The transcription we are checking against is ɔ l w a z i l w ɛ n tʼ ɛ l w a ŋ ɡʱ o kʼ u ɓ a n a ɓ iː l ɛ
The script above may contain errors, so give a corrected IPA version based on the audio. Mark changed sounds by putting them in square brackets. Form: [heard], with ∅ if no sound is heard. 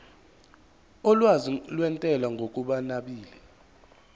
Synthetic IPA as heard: ɔ l w a z i l w ɛ n tʼ ɛ l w a ŋ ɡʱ o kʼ u ɓ a n a ɓ iː l ɛ